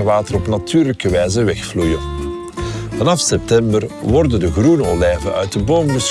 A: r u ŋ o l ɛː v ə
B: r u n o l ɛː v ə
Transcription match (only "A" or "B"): B